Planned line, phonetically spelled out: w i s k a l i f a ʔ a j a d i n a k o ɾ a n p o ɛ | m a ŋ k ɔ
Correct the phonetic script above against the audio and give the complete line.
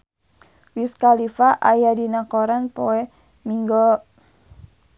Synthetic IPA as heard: w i s k a l i f a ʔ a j a d i n a k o ɾ a n p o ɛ | m i ŋ ɡ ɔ